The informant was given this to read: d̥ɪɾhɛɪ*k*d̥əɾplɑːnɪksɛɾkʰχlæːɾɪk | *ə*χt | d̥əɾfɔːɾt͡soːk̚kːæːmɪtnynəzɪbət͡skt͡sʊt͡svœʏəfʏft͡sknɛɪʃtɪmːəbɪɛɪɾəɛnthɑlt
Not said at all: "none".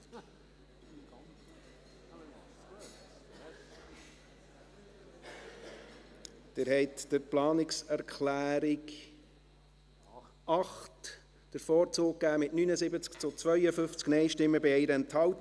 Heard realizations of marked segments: t, ɑ

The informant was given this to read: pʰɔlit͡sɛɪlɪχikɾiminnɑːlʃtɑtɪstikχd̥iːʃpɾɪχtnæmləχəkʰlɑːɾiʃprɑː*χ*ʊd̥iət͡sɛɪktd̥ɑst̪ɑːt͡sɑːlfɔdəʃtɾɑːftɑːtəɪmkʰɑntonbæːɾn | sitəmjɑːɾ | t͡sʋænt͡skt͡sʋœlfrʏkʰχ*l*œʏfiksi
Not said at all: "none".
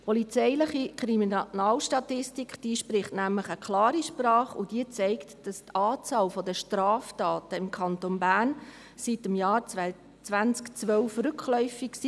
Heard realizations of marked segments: χ, l

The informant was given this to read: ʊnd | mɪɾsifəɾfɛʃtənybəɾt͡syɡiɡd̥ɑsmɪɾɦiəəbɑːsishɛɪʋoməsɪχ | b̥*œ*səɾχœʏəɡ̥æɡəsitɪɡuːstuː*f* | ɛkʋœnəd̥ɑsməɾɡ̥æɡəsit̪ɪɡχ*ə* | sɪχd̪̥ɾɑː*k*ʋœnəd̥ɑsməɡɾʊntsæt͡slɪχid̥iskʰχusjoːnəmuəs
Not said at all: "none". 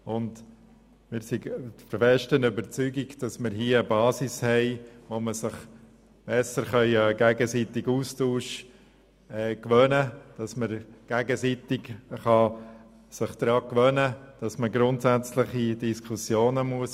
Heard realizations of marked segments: ɛ, ʃ, ɑ, k

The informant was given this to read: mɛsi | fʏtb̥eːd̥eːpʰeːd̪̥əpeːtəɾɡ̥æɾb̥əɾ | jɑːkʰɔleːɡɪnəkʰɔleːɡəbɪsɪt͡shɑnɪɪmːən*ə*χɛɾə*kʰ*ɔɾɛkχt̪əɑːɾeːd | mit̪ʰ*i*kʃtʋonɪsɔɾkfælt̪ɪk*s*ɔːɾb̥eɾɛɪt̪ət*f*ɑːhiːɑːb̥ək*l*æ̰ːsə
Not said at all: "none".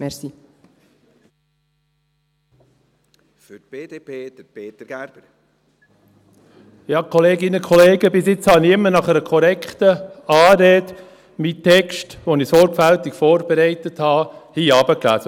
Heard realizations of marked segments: ɑ, kʰ, ɛ, f, h, l

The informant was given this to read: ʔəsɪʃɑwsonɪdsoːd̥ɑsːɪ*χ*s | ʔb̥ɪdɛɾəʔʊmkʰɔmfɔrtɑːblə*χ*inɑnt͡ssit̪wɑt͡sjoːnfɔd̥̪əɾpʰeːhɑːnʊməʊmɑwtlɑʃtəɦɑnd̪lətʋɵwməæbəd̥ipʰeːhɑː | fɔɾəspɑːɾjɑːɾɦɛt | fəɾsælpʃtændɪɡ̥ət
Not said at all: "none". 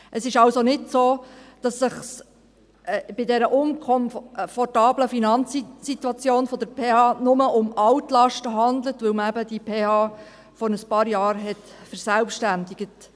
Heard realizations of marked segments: χ, f

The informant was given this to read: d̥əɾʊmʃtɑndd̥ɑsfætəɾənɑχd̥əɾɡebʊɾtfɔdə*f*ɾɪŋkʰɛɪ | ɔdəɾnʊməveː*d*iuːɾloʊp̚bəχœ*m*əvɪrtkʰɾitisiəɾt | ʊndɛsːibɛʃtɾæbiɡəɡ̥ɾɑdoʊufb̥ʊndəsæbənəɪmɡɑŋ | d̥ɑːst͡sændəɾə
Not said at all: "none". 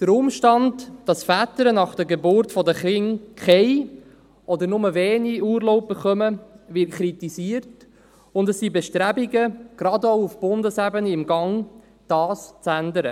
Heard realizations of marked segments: χ, n, m

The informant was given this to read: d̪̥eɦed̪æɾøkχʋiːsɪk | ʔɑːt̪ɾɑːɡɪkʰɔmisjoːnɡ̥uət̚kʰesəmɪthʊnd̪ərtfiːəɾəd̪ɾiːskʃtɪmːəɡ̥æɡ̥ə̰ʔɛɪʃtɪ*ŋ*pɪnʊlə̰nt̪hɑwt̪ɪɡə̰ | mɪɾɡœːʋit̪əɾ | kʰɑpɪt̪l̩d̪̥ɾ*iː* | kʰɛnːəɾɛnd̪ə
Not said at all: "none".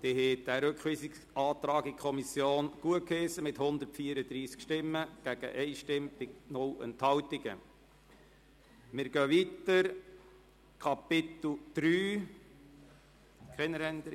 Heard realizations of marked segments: m, yː

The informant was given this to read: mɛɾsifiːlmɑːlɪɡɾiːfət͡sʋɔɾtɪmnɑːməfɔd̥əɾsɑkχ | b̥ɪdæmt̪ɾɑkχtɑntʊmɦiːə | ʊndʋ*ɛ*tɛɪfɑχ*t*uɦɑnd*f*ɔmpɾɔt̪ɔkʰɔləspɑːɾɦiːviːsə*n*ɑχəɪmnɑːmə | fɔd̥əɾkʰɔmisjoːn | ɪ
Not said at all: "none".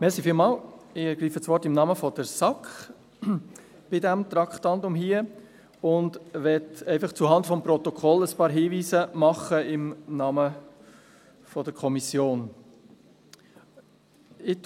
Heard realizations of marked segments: ɛ, t͡s, f, m

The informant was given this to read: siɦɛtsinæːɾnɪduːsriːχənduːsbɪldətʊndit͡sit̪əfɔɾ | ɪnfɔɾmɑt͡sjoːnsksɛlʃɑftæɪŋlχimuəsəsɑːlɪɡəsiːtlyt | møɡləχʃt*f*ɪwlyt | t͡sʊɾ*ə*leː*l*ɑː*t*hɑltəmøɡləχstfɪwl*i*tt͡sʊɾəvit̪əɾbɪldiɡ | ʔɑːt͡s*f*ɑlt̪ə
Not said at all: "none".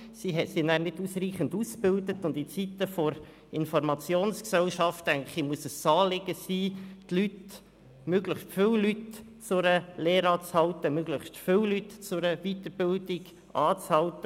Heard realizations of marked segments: f, ə, ɾ, t͡s, y, h

